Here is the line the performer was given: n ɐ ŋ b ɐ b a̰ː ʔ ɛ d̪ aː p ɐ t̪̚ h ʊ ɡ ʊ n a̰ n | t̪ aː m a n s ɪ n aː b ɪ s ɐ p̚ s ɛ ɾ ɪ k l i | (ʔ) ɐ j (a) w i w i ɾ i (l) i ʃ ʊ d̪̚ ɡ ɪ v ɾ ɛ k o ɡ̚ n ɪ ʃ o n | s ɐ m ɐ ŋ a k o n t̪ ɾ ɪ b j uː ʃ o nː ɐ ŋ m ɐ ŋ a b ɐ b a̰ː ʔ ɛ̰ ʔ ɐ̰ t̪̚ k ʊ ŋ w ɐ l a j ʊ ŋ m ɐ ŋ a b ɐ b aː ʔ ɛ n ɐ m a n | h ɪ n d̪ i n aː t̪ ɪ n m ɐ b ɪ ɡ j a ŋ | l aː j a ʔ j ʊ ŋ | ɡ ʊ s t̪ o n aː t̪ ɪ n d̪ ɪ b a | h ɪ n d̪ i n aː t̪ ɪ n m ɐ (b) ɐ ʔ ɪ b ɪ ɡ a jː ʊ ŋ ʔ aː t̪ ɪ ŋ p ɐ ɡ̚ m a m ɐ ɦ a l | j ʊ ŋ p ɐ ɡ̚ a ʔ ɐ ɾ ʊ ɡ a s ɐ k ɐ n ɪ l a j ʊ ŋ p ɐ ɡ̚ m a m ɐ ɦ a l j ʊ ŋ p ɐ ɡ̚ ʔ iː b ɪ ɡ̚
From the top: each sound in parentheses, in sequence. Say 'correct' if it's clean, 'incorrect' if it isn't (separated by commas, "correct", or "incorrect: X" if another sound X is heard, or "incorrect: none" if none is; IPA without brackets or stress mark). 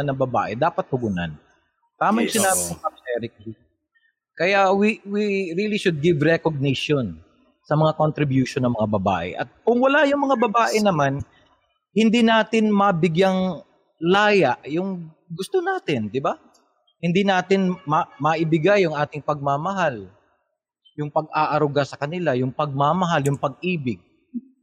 incorrect: k, correct, correct, incorrect: m